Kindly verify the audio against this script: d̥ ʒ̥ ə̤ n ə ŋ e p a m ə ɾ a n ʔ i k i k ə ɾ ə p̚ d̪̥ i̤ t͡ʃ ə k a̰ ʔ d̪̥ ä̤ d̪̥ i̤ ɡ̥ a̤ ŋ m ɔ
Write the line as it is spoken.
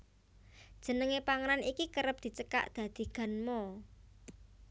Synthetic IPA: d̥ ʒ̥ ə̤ n ə ŋ e p a ŋ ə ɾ a n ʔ i k i k ə ɾ ə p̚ d̪̥ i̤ t͡ʃ ə k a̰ ʔ d̪̥ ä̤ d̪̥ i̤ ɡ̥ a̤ n m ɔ